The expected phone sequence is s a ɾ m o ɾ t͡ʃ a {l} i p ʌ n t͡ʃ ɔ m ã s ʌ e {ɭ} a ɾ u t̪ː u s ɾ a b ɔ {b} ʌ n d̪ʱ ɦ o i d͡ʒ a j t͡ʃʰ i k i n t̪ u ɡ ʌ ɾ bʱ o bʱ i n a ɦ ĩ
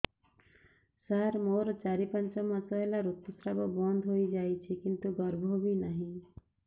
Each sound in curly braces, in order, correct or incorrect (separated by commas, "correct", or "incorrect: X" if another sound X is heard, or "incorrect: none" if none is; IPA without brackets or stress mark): incorrect: ɾ, incorrect: l, correct